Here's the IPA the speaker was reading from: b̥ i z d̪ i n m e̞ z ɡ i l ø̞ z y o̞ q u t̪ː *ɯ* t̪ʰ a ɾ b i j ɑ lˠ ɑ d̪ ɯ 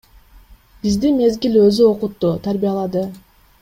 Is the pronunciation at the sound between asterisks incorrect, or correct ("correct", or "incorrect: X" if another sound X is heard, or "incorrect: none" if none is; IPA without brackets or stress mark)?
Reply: incorrect: u